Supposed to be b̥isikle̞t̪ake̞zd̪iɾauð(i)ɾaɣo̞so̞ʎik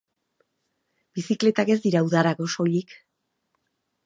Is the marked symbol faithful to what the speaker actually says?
no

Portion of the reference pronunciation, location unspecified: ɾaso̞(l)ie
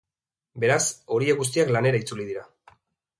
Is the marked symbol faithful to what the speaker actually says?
no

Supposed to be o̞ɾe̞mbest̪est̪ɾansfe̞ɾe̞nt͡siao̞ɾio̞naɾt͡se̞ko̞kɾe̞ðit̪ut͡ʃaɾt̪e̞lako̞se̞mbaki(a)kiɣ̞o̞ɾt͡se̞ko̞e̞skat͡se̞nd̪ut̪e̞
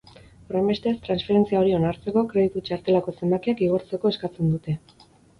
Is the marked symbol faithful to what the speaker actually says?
yes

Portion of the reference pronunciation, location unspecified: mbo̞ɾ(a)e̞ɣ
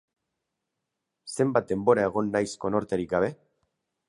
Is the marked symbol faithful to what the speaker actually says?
yes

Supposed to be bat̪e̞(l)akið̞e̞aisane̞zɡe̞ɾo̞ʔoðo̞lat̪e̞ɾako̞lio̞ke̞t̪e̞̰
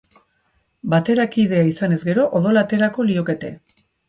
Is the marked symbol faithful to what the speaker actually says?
no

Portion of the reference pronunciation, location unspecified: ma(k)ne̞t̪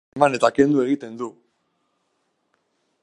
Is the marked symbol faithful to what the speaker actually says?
no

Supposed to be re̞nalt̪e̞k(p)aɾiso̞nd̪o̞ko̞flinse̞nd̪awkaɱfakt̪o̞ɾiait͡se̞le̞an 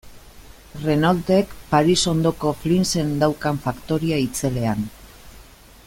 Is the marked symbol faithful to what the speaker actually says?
yes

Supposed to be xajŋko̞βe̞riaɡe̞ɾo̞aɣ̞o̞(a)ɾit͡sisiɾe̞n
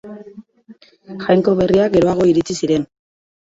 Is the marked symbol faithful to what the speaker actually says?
no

